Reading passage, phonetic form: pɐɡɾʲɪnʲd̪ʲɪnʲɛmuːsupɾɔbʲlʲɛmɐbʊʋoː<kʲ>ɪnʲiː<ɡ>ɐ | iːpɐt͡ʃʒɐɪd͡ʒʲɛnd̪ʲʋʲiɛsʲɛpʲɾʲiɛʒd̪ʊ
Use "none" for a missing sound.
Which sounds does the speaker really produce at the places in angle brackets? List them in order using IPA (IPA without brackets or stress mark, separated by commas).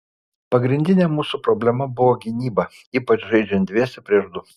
ɡʲ, b